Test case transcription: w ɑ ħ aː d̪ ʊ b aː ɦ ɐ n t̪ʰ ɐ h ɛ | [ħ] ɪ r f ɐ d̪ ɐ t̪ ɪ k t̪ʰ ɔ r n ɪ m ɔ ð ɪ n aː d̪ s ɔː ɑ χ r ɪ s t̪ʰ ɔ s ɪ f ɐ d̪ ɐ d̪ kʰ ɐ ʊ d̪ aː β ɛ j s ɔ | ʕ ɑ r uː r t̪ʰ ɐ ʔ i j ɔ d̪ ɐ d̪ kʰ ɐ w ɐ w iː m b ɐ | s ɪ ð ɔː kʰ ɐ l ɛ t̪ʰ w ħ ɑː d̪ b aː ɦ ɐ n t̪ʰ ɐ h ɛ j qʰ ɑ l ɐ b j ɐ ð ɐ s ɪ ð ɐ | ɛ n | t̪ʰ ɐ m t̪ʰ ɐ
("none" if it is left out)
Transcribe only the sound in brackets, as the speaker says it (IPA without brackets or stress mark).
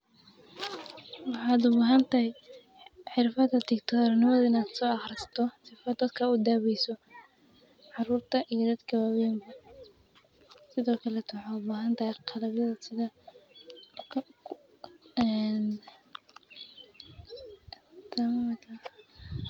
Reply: ħ